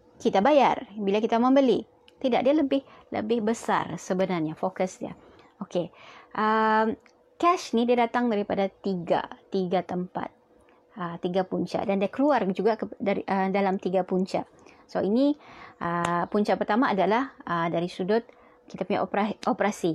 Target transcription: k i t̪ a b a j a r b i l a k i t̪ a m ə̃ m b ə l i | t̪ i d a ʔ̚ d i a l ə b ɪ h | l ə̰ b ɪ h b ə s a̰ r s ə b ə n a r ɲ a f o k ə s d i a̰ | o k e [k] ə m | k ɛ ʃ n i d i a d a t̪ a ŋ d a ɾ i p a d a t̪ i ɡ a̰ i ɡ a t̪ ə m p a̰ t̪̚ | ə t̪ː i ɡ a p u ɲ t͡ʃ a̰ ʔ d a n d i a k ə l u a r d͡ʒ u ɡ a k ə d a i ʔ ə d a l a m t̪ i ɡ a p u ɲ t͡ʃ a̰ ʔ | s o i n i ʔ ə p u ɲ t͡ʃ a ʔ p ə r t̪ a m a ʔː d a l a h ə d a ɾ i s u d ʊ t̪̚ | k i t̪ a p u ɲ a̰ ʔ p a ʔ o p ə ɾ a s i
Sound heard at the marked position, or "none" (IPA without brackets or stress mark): ʔ